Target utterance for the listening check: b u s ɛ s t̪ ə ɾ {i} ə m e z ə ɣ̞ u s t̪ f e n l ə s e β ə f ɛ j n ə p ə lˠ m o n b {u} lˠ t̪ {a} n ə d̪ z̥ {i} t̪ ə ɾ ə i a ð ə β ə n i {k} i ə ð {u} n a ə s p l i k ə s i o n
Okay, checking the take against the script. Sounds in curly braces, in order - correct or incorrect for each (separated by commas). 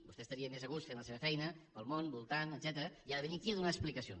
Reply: correct, correct, correct, incorrect, correct, correct